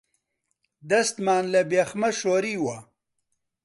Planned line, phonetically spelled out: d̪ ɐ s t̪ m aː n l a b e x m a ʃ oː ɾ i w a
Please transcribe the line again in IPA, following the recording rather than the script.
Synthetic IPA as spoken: d̪ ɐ s t̪ m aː n l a b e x m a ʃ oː ɾ i w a